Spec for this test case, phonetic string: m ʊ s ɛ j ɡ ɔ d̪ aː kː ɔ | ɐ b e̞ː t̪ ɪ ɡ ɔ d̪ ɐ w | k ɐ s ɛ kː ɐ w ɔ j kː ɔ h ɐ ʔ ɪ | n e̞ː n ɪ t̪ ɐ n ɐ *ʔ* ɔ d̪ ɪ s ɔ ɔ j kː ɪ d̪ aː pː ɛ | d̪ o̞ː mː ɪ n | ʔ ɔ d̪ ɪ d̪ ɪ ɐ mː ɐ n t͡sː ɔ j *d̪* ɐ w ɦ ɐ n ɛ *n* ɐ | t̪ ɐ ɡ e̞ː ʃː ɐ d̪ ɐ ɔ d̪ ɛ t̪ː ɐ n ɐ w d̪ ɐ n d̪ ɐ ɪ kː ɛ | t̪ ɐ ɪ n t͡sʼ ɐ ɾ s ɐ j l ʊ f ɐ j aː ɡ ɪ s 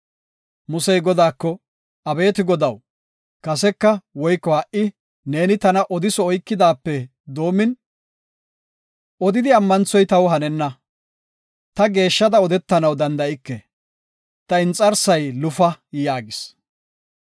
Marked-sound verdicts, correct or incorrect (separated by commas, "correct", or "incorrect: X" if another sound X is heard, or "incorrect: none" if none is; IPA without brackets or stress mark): correct, incorrect: t̪, incorrect: nː